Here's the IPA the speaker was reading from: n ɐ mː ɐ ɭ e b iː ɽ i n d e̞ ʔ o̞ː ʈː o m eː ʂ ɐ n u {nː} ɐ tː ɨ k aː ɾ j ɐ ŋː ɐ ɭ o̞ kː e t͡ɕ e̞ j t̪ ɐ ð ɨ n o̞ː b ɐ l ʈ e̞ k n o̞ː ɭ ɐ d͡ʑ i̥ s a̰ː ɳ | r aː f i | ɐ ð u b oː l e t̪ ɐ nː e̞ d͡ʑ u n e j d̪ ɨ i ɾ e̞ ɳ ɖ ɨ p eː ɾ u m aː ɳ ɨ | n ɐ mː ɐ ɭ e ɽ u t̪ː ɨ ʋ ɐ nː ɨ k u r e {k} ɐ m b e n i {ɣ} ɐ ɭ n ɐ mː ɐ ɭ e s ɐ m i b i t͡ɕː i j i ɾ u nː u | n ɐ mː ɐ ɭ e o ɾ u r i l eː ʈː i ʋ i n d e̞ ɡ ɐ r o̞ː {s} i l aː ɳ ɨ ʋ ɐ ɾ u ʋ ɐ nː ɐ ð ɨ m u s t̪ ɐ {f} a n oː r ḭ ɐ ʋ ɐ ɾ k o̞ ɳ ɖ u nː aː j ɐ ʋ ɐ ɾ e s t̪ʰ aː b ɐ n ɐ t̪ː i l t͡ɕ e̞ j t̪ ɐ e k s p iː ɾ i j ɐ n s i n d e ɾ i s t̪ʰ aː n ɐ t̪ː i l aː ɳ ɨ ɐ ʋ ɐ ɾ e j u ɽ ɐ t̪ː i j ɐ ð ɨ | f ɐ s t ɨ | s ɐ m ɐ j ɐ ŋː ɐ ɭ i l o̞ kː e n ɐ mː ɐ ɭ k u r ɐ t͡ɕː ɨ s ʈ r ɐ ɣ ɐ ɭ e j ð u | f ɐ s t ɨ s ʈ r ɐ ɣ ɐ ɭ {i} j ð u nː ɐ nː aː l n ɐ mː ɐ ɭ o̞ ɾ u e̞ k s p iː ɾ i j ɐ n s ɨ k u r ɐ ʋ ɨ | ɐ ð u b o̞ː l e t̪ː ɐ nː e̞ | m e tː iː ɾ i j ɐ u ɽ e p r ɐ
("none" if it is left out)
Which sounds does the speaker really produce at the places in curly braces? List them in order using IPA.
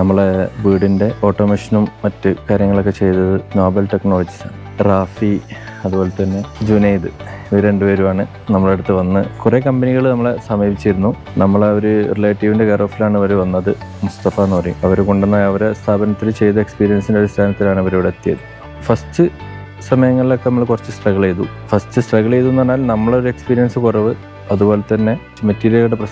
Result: mː, k, ɣ, f, f, e

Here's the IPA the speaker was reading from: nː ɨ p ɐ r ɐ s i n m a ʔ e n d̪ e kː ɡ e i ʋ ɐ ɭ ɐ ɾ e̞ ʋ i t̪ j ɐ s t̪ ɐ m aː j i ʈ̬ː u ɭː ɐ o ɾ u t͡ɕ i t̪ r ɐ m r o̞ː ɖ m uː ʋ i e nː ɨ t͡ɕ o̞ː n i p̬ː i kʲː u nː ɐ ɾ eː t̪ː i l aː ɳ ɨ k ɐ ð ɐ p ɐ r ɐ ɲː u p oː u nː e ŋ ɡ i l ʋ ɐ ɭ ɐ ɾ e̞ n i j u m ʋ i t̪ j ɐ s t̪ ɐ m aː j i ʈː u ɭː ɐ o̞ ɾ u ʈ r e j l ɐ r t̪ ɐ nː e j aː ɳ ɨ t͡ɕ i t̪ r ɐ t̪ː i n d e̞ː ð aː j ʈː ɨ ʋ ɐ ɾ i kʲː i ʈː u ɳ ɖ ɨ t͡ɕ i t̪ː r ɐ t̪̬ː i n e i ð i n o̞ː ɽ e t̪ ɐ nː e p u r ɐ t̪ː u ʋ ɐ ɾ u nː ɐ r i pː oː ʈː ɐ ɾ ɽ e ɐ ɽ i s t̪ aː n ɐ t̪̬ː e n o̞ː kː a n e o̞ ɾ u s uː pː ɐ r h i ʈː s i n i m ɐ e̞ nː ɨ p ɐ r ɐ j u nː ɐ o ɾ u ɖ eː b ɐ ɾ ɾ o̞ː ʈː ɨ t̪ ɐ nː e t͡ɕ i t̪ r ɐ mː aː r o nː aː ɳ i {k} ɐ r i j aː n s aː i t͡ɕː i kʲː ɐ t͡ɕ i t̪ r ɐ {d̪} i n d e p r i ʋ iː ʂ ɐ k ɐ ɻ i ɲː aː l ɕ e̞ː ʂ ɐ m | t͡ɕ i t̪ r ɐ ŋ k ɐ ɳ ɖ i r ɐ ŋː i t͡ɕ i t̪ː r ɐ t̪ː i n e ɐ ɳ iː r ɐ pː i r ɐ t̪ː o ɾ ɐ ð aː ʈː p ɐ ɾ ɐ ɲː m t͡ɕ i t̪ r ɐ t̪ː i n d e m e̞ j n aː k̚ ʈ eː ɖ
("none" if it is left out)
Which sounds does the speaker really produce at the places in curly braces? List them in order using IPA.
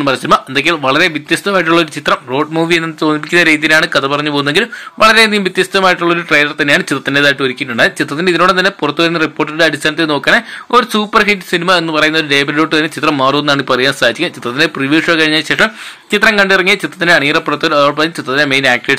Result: p, t̪

